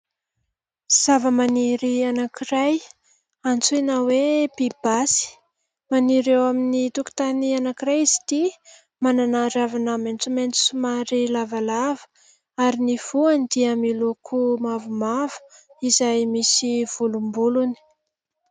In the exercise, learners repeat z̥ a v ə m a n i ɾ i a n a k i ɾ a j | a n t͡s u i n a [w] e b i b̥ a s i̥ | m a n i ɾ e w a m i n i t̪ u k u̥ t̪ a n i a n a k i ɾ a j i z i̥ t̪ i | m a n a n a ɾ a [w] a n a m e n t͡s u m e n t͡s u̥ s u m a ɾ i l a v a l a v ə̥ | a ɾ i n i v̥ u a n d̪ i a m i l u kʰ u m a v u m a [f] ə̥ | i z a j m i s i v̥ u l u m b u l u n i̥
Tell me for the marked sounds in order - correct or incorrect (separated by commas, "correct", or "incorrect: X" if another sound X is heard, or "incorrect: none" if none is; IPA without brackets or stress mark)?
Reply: correct, incorrect: v, incorrect: v